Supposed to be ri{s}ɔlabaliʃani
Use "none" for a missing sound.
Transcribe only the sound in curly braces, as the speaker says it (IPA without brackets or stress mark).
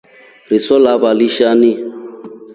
s